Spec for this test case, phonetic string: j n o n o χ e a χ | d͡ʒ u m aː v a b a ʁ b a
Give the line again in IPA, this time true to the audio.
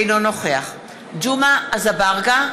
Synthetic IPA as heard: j n o n o χ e a χ | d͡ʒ u m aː z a b a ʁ ɡ a